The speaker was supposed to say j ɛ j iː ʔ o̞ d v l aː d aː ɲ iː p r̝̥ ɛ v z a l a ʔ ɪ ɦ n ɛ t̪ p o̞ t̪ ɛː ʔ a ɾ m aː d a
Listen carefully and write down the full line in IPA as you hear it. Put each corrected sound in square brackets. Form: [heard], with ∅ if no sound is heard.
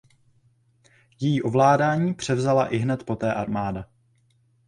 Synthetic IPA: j ɛ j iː ʔ o̞ [∅] v l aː d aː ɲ iː p r̝̥ ɛ v z a l a ʔ ɪ ɦ n ɛ t̪ p o̞ t̪ ɛː ʔ a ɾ m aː d a